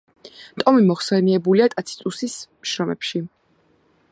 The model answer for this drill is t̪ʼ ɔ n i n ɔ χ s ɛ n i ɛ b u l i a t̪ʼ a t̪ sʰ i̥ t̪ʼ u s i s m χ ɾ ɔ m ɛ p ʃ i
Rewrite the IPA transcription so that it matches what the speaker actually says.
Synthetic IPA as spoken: t̪ʼ ɔ m i m ɔ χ s ɛ n i ɛ b u l i a t̪ʼ a t̪ sʰ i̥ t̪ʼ u s i s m ʃ ɾ ɔ m ɛ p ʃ i